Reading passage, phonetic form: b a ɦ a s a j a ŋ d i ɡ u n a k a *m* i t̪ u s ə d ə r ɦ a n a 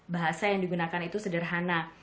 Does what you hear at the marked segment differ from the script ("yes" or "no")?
yes